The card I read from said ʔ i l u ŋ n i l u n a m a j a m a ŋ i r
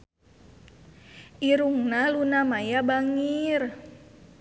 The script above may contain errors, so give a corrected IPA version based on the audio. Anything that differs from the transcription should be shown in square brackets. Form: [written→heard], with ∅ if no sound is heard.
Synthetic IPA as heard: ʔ i [l→ɾ] u ŋ n [i→a] l u n a m a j a [m→b] a ŋ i r